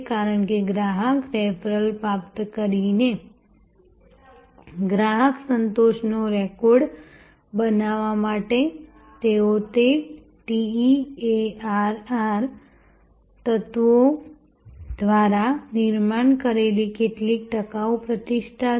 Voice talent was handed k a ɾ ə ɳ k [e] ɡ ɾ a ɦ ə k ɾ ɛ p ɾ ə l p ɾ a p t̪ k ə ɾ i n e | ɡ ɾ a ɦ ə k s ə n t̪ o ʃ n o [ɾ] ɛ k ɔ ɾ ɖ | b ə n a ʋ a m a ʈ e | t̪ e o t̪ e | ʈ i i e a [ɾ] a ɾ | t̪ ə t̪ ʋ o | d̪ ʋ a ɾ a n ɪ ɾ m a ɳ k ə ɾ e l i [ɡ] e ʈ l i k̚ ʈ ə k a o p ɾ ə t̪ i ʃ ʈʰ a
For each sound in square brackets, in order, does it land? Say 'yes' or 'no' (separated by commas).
yes, yes, yes, no